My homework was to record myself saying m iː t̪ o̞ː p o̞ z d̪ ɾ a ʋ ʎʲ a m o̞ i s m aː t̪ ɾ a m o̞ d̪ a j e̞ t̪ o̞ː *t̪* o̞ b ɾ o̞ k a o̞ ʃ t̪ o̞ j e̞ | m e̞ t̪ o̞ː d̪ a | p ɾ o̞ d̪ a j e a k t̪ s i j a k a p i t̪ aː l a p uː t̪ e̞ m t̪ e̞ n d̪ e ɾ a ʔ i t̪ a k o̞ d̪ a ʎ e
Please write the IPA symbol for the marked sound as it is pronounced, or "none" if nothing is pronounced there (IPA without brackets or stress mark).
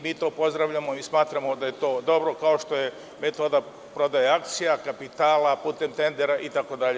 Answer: d̪